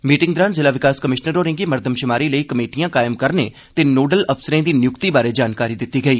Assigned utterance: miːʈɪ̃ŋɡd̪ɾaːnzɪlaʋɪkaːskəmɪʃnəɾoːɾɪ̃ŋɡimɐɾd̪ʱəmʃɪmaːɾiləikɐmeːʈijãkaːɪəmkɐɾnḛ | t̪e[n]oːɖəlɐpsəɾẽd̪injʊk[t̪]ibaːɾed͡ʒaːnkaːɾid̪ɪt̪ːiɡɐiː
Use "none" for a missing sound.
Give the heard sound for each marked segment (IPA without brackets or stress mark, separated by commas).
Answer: n, t̪